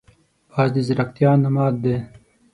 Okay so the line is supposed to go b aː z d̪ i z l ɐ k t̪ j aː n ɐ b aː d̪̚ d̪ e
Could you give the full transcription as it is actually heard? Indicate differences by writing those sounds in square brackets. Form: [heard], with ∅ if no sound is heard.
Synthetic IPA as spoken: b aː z d̪ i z [ɾ] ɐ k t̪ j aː n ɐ [m] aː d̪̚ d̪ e